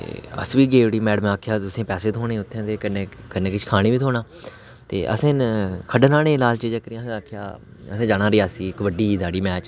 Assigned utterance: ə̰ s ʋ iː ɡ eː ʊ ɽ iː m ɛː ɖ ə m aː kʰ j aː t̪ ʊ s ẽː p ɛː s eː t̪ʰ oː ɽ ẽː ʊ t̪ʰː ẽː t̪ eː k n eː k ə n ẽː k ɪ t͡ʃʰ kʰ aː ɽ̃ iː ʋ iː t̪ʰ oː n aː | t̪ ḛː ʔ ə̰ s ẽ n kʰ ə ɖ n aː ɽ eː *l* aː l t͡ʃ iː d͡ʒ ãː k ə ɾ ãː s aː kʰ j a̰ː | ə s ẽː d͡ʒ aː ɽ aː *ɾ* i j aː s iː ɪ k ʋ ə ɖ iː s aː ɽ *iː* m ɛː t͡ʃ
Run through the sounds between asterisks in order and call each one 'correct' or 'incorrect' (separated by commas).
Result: correct, correct, correct